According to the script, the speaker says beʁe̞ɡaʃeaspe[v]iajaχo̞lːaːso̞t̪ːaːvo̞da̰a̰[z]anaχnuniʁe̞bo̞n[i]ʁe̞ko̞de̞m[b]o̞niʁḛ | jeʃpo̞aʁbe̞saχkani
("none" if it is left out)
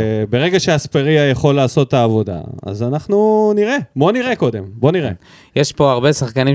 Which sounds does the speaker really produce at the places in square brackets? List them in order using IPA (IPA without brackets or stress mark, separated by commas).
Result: ʁ, z, i, b